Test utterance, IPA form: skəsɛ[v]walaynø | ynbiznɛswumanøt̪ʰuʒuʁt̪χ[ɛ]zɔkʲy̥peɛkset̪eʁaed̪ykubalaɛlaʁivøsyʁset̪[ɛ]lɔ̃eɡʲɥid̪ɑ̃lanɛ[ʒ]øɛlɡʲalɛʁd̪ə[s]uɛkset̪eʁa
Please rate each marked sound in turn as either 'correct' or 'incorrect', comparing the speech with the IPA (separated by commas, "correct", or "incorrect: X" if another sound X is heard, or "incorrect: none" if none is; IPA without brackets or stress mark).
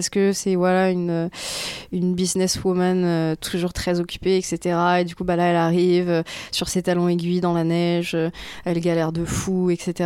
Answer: correct, correct, incorrect: a, correct, incorrect: f